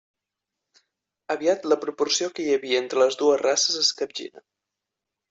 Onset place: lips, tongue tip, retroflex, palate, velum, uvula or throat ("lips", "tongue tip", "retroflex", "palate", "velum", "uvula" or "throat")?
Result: lips